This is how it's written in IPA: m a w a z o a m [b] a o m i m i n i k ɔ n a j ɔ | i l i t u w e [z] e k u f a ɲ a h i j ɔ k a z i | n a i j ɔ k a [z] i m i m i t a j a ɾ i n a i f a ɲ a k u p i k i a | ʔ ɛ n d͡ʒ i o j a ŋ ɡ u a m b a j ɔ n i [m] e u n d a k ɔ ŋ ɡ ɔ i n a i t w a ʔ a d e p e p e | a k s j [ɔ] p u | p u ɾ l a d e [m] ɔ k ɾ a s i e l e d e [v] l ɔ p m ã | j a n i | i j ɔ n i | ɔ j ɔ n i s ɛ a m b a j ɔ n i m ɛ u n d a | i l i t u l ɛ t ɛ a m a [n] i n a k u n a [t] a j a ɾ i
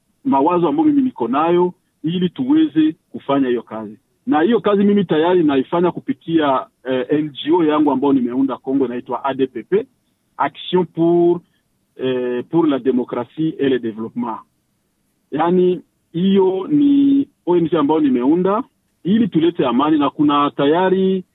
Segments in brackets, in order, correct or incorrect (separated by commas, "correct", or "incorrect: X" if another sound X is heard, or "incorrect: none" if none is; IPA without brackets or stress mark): correct, correct, correct, correct, incorrect: ɔ̃, correct, correct, correct, correct